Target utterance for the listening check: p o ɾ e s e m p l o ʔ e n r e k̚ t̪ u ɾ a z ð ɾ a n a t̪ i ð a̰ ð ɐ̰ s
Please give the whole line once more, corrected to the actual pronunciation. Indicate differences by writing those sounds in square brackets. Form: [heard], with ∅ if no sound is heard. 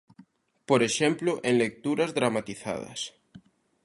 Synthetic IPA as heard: p o ɾ e [ʃ] e m p l o ʔ e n [l] e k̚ t̪ u ɾ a z ð ɾ a [m] a t̪ i [θ] a̰ ð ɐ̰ s